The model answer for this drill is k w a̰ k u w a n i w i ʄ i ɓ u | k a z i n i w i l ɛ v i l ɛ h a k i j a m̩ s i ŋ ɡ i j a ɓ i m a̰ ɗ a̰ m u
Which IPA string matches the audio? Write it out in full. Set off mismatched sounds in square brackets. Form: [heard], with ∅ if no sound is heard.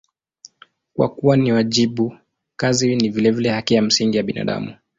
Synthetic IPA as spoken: k w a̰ k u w a n i w [a] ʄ i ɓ u | k a z i n i [v] i l ɛ v i l ɛ h a k i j a m̩ s i ŋ ɡ i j a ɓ i [n] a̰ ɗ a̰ m u

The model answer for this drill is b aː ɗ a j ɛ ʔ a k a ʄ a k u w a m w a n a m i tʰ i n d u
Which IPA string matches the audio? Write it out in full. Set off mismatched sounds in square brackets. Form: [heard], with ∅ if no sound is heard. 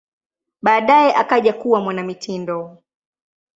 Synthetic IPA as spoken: [ɓ] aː ɗ a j ɛ ʔ a k a ʄ a k u w a m w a n a m i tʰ i n d [ɔ]

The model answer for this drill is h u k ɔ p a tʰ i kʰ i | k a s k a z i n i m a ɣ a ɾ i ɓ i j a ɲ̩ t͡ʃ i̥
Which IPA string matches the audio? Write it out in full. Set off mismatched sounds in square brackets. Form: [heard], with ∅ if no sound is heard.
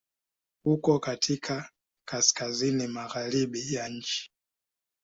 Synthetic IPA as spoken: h u k ɔ [k] a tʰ i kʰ [a] | k a s k a z i n i m a ɣ a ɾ i ɓ i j a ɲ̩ t͡ʃ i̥

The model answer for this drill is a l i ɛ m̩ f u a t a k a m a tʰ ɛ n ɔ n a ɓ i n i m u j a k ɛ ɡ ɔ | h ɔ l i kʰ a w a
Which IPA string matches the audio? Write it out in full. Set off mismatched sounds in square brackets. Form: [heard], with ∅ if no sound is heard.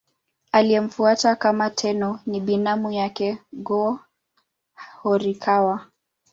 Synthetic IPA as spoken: a l i ɛ m̩ f u a t a k a m a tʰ ɛ n ɔ n [i] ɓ i n [a] m u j a k ɛ ɡ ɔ | h ɔ [ɾ] i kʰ a w a

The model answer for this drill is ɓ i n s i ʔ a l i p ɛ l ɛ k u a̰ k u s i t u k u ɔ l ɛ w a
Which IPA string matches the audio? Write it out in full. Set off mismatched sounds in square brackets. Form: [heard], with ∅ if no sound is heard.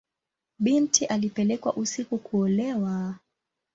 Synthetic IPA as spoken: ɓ i n [t] i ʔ a l i p ɛ l ɛ k [w] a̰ [ʔ] u s i [k] u k u ɔ l ɛ w a

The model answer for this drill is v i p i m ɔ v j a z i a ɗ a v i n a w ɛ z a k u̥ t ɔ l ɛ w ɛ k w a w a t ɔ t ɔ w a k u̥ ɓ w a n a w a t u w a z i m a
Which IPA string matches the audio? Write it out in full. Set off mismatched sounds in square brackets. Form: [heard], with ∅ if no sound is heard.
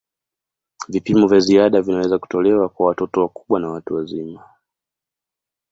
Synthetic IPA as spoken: v i p i m ɔ v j a z i a ɗ a v i n a w ɛ z a k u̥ t ɔ l ɛ w [a] k w a w a t ɔ t ɔ w a k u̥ ɓ w a n a w a t u w a z i m a

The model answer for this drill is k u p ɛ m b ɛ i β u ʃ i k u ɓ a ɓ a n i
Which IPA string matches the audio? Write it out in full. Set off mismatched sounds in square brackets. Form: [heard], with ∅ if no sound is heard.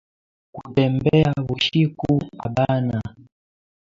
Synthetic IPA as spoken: k u [t] ɛ m b ɛ [a] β u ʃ i k u [∅] a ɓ a n [a]

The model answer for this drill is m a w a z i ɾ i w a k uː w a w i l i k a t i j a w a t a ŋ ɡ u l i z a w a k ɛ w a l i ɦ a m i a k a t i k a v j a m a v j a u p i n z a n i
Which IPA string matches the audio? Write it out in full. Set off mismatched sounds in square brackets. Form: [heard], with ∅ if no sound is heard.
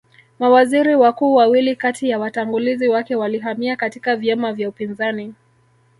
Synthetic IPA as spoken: m a w a z i ɾ i w a k uː w a w i l i k a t i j a w a t a ŋ ɡ u l i z [i] w a k ɛ w a l i ɦ a m i a k a t i k a v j a m a v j a u p i n z a n i

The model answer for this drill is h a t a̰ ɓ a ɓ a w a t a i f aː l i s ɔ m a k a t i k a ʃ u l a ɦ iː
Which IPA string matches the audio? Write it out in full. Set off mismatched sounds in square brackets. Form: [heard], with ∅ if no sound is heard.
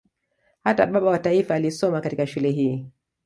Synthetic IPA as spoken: h a t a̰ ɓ a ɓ a w a t a i f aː l i s ɔ m a k a t i k a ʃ u l [ɛ] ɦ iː

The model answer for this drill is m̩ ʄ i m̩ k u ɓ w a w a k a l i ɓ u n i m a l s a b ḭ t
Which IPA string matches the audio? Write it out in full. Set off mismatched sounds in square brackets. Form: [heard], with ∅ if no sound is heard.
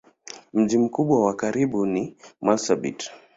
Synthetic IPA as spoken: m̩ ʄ i m̩ k u ɓ w a w a k a [ɾ] i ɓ u n i m a l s a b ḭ t

